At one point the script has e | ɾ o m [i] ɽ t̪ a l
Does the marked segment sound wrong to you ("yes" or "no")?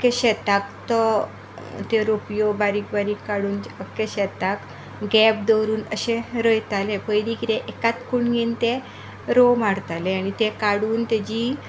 yes